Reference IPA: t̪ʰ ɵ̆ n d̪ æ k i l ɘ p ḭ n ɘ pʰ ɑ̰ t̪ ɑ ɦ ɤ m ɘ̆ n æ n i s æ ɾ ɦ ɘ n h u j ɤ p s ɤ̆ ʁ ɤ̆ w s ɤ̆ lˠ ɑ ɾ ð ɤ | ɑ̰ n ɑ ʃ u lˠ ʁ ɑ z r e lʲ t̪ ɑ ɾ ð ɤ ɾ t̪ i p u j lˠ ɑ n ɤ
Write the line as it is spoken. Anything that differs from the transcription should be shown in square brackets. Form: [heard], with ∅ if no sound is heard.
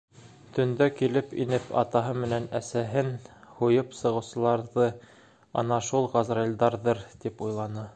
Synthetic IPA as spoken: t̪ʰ ɵ̆ n d̪ æ k i l ɘ p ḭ n ɘ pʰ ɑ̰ t̪ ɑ ɦ ɤ m ɘ̆ n æ n [æ] s æ [∅] ɦ ɘ n h u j ɤ p s ɤ̆ ʁ ɤ̆ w s ɤ̆ lˠ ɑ ɾ ð ɤ | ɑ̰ n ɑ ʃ u lˠ ʁ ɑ z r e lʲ [d̪] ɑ ɾ ð ɤ ɾ t̪ i p u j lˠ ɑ n ɤ